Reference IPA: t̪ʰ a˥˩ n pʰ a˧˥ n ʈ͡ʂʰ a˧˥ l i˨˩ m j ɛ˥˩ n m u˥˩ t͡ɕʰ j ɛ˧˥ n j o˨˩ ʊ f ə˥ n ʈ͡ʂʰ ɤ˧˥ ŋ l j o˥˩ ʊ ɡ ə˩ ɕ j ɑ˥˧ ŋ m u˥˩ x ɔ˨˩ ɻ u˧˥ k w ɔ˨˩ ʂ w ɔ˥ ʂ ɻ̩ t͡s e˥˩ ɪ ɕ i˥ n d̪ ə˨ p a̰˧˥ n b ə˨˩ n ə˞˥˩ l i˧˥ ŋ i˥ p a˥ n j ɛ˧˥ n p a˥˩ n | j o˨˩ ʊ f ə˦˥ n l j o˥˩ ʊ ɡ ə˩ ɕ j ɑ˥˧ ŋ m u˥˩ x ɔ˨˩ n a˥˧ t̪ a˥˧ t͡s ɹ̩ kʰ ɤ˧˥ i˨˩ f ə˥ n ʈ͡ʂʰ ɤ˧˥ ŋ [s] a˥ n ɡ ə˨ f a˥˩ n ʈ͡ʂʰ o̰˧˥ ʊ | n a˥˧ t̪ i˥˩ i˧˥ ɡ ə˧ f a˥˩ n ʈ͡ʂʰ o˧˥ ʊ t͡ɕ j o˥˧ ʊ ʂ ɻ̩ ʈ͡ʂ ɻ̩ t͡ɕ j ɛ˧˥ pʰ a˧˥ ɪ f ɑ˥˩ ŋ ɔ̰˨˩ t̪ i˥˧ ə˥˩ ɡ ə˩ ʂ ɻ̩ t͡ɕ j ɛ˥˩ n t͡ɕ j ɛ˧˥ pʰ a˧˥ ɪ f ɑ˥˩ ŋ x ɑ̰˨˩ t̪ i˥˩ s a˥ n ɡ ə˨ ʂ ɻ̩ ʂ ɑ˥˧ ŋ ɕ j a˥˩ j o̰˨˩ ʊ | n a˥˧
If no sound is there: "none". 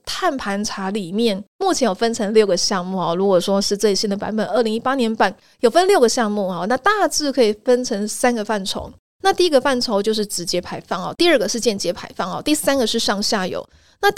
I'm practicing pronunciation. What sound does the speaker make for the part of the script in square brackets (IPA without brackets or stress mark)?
s